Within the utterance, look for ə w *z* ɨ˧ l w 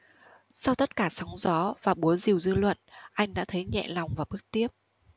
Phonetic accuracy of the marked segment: correct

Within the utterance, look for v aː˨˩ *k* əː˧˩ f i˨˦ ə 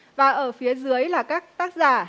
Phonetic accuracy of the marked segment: incorrect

